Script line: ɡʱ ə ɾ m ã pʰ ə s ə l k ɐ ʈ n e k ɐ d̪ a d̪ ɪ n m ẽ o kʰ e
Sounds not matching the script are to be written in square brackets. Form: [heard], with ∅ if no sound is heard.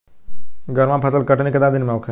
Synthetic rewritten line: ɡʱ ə ɾ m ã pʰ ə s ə l k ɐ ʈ n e k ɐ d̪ a d̪ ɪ n m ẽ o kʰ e